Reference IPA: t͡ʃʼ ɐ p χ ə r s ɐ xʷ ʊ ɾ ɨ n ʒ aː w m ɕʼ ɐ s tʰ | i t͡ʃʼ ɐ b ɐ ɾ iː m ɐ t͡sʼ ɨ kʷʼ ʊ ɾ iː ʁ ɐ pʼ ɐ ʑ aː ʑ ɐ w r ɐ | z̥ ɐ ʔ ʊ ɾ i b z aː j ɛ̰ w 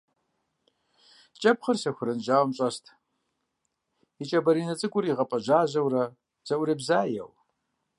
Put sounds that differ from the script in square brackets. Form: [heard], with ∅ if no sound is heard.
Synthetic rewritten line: t͡ʃʼ ɐ p χ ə r s ɐ xʷ ʊ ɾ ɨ n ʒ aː w m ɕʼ ɐ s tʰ | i t͡ʃʼ ɐ b ɐ ɾ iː [n] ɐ t͡sʼ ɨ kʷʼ ʊ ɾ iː ʁ ɐ pʼ ɐ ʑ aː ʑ ɐ w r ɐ | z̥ ɐ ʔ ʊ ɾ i b z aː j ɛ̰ w